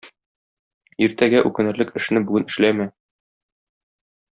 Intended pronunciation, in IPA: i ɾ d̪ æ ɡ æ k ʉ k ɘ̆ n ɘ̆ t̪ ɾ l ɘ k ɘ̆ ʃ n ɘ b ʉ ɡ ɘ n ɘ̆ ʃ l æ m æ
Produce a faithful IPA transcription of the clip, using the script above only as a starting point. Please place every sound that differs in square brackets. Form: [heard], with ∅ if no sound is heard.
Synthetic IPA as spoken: i ɾ [t̪] æ ɡ æ [ʔ] ʉ k ɘ̆ n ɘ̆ [∅] ɾ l ɘ k ɘ̆ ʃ n ɘ b ʉ ɡ ɘ n ɘ̆ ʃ l æ m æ